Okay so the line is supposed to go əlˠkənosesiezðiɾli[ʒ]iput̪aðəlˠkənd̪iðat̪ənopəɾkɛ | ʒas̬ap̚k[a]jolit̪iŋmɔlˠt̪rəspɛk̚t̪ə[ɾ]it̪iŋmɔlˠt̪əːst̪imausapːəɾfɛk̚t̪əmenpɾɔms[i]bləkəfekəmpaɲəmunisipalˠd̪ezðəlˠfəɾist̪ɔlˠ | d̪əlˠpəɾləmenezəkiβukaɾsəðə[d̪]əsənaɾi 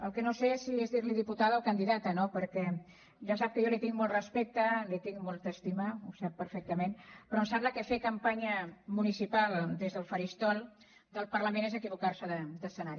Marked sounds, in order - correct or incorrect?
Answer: incorrect: ð, incorrect: ə, incorrect: l, incorrect: a, correct

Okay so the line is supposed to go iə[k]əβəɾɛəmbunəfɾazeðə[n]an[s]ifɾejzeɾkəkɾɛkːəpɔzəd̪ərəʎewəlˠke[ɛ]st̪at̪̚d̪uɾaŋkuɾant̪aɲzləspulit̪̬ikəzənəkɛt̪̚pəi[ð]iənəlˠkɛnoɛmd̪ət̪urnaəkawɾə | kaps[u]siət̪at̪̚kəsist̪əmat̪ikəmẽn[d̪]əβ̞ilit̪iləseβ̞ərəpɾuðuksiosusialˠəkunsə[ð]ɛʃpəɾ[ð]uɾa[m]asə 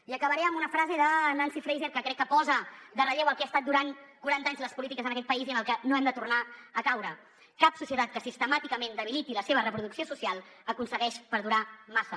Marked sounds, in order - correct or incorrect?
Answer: correct, correct, correct, incorrect: a, incorrect: z, correct, correct, incorrect: ɣ, correct, correct

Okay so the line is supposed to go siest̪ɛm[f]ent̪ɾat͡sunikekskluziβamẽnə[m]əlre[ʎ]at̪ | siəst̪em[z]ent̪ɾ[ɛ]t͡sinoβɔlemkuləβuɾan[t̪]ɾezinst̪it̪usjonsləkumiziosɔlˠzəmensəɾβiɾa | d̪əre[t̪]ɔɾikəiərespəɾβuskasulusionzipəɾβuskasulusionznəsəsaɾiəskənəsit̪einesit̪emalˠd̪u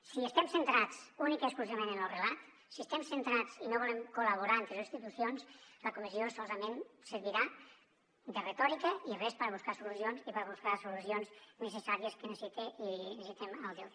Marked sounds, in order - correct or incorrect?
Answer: incorrect: s, incorrect: n, incorrect: l, incorrect: s, incorrect: a, correct, correct

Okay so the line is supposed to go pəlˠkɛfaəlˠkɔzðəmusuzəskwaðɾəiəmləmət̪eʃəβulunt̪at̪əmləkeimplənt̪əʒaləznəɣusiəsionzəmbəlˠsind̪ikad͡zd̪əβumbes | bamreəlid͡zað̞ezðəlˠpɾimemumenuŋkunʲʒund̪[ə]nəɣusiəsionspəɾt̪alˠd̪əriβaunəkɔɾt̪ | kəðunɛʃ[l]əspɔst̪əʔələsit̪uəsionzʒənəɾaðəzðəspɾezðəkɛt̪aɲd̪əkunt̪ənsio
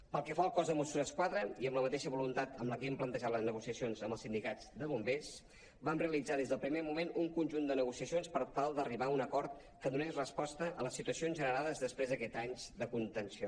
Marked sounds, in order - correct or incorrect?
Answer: correct, incorrect: r

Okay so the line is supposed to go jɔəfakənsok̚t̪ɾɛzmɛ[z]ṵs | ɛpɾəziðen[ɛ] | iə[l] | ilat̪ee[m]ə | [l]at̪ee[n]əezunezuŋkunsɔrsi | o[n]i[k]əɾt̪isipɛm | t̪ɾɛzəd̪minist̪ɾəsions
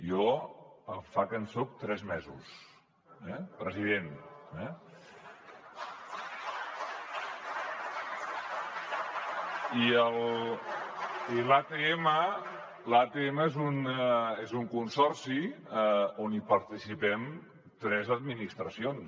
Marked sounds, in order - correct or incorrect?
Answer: correct, correct, correct, correct, correct, incorrect: m, correct, incorrect: p

